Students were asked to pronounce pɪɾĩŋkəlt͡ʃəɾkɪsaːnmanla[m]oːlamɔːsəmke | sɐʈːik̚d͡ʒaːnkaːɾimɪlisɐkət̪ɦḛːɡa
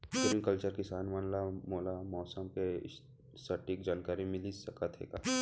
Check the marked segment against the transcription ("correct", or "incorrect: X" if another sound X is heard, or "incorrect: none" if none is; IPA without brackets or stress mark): correct